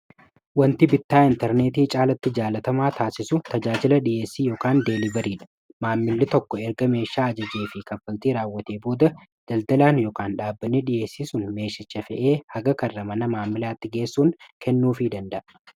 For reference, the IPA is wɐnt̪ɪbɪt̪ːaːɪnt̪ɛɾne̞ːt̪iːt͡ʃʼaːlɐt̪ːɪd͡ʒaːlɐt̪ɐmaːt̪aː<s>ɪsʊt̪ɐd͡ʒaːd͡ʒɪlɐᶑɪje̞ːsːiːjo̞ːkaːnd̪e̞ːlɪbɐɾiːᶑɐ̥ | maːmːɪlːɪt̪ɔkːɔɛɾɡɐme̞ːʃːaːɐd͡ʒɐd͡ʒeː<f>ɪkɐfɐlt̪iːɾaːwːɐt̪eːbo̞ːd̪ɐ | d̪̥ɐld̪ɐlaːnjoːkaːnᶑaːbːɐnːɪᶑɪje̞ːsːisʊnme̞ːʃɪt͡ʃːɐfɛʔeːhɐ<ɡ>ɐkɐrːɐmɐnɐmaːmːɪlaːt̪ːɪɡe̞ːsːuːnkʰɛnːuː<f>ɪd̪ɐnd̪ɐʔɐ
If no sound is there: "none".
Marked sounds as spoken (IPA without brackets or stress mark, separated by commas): s, f, ɡ, f